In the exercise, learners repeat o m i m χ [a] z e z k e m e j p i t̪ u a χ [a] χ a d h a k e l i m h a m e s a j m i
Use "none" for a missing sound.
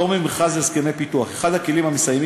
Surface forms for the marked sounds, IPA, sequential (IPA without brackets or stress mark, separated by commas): a, e